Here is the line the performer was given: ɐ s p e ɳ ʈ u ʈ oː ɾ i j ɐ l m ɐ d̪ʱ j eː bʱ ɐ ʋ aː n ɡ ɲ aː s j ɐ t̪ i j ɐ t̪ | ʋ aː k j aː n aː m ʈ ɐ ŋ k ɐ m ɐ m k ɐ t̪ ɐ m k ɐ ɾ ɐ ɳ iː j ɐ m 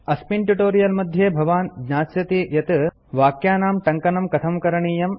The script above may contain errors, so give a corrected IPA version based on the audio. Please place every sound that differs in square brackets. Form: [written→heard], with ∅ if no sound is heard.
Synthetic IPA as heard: ɐ s p [e→i] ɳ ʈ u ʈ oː ɾ i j ɐ l m ɐ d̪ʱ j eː bʱ ɐ ʋ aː n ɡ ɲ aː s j ɐ t̪ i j ɐ t̪ | ʋ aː k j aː n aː m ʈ ɐ ŋ k ɐ [m→n] ɐ m k ɐ [t̪→t̪ʰ] ɐ m k ɐ ɾ ɐ ɳ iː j ɐ m